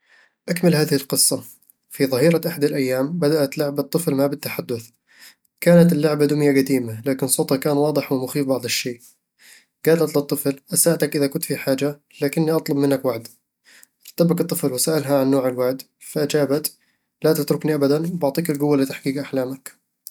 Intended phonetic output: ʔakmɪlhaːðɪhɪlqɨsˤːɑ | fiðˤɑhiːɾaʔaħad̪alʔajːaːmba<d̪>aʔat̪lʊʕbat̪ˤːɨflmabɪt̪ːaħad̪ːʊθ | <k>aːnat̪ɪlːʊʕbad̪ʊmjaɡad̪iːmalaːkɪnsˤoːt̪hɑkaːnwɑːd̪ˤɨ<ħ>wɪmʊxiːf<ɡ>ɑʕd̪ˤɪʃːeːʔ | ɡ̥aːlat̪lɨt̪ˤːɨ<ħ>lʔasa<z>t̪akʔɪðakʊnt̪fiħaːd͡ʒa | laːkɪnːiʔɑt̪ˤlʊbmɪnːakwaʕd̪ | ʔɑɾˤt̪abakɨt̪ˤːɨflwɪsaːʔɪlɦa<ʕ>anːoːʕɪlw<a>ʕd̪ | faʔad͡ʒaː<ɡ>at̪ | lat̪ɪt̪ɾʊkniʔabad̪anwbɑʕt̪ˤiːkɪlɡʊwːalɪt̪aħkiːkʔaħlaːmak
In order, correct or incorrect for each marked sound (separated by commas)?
correct, correct, correct, incorrect, incorrect, incorrect, correct, correct, incorrect